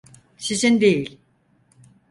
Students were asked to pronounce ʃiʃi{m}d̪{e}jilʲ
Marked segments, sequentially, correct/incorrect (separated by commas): incorrect, correct